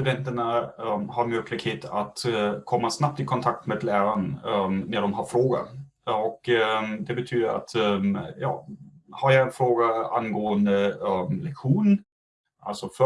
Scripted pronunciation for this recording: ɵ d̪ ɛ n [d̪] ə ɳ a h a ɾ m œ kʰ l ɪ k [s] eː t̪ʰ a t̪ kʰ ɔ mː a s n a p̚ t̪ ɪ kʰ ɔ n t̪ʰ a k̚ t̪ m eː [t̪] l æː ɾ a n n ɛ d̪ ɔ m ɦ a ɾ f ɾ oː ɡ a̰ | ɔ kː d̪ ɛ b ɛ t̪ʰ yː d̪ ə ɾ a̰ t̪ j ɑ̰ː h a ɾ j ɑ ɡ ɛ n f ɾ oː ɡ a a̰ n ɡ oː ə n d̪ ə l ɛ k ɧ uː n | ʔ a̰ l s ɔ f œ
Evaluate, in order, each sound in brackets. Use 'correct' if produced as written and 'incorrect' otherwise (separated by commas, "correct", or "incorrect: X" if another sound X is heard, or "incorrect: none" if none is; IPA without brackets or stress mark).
incorrect: t̪, incorrect: h, incorrect: d̪